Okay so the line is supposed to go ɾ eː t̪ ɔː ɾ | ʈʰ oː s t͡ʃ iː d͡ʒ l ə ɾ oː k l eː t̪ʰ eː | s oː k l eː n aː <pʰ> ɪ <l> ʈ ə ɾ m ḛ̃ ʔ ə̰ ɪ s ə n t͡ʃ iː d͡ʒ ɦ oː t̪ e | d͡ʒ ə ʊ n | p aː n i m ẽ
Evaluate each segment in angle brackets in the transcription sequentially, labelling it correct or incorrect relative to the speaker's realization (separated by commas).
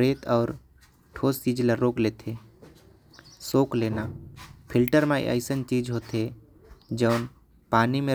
correct, correct